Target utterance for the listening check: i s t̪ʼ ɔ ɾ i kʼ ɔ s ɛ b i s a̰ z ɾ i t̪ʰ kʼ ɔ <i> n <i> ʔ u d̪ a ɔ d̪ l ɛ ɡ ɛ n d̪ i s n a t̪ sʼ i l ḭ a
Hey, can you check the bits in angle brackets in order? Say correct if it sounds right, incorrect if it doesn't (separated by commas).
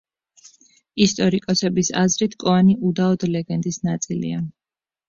incorrect, correct